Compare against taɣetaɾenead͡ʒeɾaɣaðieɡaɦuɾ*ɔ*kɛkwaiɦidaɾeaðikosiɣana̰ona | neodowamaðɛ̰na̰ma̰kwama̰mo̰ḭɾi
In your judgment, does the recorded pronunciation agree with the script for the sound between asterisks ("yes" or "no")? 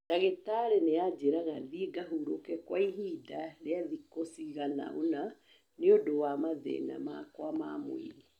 no